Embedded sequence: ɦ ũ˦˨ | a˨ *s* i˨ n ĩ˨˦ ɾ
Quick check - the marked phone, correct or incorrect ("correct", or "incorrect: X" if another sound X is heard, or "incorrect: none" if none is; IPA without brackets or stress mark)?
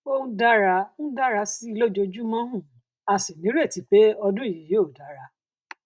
correct